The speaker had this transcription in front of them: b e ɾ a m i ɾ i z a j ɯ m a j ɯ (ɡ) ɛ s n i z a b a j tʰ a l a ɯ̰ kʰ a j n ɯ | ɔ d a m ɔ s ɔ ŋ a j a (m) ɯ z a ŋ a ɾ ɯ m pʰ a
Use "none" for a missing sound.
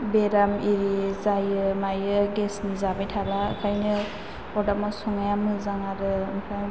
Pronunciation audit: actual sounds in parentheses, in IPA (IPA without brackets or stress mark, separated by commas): ɡ, m